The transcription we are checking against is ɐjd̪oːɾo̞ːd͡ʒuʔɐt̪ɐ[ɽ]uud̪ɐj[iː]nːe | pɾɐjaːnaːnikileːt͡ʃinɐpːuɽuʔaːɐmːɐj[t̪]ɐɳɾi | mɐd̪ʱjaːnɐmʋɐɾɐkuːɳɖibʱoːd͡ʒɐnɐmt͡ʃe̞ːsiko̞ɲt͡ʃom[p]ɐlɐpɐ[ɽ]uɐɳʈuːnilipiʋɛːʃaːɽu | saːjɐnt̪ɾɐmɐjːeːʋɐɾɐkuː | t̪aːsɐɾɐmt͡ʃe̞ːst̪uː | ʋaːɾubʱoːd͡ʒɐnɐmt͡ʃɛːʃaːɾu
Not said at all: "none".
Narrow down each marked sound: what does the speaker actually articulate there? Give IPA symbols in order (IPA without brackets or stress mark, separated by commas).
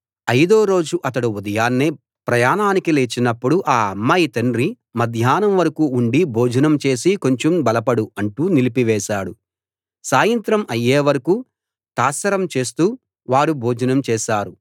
ɽ, aː, t̪, b, ɽ